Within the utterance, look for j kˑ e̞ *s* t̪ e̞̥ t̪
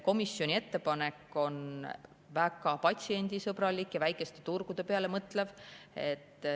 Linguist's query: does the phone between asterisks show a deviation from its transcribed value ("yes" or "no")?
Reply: no